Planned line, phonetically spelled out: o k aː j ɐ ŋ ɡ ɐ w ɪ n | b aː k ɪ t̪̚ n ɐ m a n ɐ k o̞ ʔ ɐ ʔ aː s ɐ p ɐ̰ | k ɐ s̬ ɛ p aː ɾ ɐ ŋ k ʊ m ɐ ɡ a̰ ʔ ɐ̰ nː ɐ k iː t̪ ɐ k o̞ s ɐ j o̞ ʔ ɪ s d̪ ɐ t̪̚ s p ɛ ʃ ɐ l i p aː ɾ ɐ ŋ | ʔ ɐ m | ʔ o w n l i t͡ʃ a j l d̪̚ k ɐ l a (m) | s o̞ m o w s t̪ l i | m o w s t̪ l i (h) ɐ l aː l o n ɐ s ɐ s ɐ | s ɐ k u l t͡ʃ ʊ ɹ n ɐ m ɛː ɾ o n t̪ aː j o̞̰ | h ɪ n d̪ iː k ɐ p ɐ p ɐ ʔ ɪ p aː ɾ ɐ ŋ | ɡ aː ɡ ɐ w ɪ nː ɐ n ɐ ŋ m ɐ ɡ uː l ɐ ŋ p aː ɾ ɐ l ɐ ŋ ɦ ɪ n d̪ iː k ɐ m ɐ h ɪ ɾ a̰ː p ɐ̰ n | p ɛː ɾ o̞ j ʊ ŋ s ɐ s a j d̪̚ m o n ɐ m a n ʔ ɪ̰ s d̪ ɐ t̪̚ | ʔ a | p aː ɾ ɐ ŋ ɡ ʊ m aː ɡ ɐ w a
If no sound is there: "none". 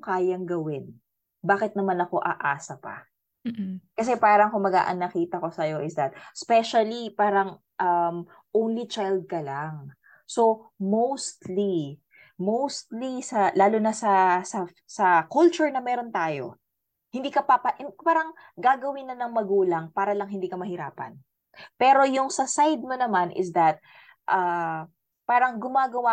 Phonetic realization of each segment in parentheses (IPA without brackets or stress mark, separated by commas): ŋ, s